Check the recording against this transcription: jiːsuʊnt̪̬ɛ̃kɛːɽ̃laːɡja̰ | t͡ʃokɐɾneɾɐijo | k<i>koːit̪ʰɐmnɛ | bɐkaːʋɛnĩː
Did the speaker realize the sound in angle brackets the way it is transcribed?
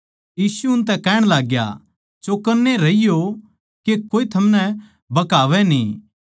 no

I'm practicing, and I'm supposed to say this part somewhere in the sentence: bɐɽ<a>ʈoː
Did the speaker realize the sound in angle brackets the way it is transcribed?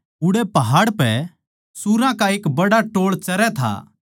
yes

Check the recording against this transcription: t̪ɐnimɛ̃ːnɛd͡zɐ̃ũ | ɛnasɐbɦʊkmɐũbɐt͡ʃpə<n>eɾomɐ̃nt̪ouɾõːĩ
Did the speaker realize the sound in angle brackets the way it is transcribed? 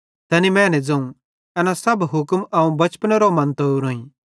yes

